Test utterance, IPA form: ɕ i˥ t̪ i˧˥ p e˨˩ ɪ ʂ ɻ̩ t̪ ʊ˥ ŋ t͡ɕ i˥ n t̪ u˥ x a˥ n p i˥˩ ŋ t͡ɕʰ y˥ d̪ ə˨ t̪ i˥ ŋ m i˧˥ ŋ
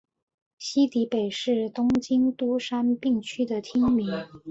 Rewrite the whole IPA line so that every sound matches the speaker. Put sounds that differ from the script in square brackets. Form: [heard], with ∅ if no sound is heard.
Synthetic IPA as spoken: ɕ i˥ t̪ i˧˥ p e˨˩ ɪ ʂ ɻ̩ t̪ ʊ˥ ŋ t͡ɕ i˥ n t̪ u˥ [ʂ] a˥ n p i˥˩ ŋ t͡ɕʰ y˥ d̪ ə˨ [t̪ʰ] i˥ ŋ m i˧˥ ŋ